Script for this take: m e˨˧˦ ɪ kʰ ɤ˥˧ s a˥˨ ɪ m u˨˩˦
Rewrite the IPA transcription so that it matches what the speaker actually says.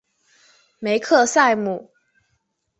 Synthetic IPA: m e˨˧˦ ɪ kʰ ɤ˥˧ s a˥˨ ɪ m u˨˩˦